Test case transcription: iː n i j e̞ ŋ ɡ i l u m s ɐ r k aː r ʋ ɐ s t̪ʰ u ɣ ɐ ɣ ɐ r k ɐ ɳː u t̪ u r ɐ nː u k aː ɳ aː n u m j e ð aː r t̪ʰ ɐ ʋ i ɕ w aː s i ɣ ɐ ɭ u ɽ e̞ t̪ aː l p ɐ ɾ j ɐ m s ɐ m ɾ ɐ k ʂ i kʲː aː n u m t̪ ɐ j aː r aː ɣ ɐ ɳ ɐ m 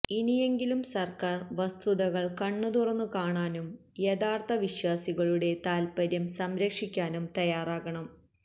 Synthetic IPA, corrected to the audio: i n i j e̞ ŋ ɡ i l u m s ɐ r k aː r ʋ ɐ s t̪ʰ u ð ɐ ɣ ɐ ɭ k ɐ ɳː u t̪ u r ɐ nː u k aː ɳ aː n u m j e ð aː r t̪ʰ ɐ ʋ i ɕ w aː s i ɣ ɐ ɭ u ɽ e̞ t̪ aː l p ɐ ɾ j ɐ m s ɐ m ɾ ɐ k ʂ i kʲː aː n u m t̪ ɐ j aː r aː ɣ ɐ ɳ ɐ m